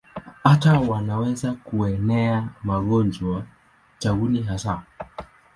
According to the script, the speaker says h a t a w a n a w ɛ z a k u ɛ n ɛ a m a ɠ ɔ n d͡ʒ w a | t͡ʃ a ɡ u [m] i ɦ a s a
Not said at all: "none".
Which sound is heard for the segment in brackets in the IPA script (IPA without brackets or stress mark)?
n